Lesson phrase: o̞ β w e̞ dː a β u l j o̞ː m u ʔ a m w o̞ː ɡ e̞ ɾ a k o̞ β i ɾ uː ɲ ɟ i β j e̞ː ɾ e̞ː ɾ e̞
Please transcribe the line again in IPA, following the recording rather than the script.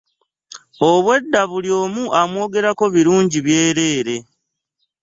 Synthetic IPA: o̞ β w e̞ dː a β u l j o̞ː m u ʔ a m w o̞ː ɡ e̞ ɾ a k o̞ β i ɾ uː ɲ ɟ i β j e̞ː ɾ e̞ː ɾ e̞